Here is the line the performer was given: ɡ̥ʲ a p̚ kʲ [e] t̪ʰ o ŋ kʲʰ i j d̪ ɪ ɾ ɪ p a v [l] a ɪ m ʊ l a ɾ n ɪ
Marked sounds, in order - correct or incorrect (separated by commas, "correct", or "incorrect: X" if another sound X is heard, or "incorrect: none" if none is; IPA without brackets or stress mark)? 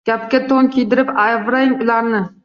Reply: incorrect: a, incorrect: ɾ